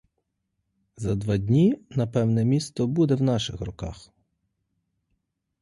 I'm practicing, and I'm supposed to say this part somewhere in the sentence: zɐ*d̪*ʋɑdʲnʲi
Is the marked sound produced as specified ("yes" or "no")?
yes